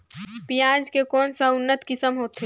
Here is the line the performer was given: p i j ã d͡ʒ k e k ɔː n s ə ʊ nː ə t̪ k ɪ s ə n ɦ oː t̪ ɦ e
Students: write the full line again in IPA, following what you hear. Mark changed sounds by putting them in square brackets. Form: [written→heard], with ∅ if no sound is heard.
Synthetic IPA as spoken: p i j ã d͡ʒ k e k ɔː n s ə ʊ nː ə t̪ k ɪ s ə [n→m] ɦ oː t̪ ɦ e